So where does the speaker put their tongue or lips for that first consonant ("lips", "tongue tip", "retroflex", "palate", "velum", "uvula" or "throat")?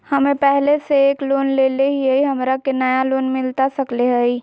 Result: throat